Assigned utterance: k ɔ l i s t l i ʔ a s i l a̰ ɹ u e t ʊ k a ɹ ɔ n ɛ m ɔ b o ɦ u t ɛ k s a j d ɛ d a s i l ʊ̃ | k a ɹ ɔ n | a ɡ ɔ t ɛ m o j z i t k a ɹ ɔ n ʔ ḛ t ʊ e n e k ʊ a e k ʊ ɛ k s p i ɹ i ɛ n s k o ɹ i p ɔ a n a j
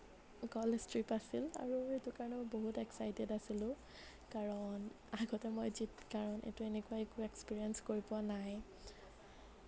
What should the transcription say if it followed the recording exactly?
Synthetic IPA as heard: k ɔ l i s t ɹ i p a s i l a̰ ɹ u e t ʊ k a ɹ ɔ n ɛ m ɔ b o ɦ u t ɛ k s a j d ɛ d a s i l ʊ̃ | k a ɹ ɔ n | a ɡ ɔ t ɛ m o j z i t k a ɹ ɔ n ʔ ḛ t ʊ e n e k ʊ a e k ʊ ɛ k s p i ɹ i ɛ n s k o ɹ i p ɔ a n a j